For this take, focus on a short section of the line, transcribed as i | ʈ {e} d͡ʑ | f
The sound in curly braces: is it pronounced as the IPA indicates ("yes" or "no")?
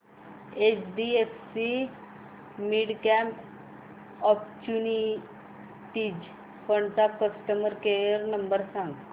no